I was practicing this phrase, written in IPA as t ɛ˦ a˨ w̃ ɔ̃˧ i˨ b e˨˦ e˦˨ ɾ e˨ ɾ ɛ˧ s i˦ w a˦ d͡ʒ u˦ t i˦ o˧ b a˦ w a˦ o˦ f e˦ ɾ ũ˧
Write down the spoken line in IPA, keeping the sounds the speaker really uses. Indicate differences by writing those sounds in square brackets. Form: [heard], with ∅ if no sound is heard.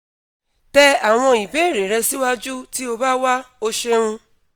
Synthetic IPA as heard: t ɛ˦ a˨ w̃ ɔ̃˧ i˨ b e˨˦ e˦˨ ɾ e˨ ɾ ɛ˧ s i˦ w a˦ d͡ʒ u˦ t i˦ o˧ b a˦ w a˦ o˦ [ʃ] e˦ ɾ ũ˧